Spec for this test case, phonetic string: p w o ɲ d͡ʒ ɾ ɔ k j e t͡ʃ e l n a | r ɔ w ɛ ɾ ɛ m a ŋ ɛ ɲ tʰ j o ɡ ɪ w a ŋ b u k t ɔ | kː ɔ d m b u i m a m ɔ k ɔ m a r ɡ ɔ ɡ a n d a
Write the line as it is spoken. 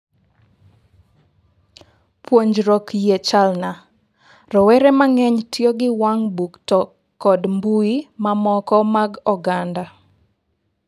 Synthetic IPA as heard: p w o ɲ d͡ʒ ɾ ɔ k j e t͡ʃ a l n a | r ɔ w ɛ ɾ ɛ m a ŋ ɛ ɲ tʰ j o ɡ ɪ w a ŋ b u k t ɔ | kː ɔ d m b u i m a m ɔ k ɔ m a ɡ ɔ ɡ a n d a